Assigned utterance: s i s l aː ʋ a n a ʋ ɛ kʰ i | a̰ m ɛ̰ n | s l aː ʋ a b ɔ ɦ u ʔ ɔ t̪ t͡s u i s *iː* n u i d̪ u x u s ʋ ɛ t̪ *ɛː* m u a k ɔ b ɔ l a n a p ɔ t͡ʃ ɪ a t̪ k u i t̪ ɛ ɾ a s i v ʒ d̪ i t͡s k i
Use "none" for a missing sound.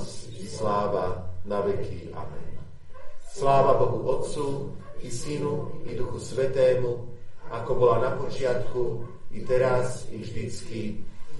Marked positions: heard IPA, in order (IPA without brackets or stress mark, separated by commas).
i, ɛː